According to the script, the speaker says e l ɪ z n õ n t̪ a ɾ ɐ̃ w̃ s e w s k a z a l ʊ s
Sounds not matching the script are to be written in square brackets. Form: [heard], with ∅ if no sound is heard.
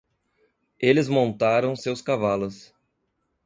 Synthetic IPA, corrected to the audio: e l ɪ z [m] õ n t̪ a ɾ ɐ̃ w̃ s e w s k a [v] a l ʊ s